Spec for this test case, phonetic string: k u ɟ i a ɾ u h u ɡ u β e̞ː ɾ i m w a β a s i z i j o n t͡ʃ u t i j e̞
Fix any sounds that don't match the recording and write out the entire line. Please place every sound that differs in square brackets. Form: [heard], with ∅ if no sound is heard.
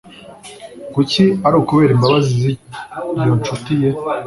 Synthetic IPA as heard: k u [c] i a ɾ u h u [k] u β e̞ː ɾ i m [b] a β a [z] i z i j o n t͡ʃ u t i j e̞